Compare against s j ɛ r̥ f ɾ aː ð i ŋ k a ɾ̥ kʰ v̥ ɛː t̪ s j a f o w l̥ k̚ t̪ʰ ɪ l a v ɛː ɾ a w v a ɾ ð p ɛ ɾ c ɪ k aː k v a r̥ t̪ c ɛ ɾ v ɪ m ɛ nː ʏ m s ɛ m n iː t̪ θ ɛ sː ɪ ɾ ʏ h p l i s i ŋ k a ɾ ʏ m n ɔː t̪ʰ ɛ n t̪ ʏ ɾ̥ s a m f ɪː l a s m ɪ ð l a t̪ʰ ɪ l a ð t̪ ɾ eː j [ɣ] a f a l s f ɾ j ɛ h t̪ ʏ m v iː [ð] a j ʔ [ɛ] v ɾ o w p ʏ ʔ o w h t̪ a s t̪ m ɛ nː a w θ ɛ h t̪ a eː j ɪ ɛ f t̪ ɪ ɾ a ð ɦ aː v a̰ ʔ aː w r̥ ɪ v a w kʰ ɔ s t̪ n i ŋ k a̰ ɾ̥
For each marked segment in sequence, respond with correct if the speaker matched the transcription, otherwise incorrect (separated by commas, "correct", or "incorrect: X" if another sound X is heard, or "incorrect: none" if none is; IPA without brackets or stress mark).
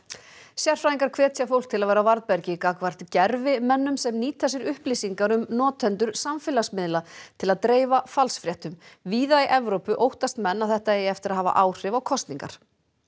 incorrect: v, correct, correct